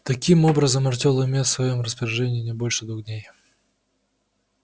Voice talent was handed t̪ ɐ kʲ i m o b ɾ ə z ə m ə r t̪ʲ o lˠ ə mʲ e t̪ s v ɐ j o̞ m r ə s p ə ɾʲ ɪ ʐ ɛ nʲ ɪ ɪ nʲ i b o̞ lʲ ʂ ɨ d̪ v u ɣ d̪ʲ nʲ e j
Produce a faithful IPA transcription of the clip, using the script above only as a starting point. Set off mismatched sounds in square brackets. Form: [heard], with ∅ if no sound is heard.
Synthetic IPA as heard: t̪ ɐ kʲ i m o b ɾ ə z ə m [ɐ] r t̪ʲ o lˠ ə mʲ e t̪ s v ɐ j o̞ m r ə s p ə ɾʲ ɪ ʐ ɛ nʲ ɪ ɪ nʲ [ɪ] b o̞ lʲ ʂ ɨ d̪ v u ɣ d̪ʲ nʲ e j